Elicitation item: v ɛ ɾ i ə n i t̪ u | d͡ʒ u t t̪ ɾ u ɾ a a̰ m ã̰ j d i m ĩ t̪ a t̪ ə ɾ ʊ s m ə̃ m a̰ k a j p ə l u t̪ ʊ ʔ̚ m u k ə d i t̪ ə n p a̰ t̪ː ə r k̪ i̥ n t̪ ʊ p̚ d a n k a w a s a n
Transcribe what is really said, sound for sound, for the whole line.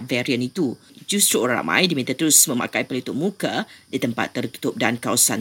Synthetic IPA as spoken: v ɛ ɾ i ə n i t̪ u | d͡ʒ u s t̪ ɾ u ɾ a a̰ m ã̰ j d i m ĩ t̪ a t̪ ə ɾ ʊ s m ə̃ m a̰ k a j p ə l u t̪ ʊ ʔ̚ m u k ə d i t̪ ə m p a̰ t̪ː ə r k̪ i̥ t̪ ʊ p̚ d a n k a w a s a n